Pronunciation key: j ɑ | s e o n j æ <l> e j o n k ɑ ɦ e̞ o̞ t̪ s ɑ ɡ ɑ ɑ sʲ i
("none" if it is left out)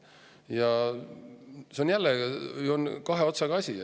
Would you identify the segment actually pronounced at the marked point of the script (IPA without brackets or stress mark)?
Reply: lː